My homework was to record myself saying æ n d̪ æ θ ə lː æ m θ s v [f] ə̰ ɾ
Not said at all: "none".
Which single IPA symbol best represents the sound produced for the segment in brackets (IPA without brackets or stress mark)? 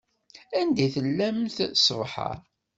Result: ħ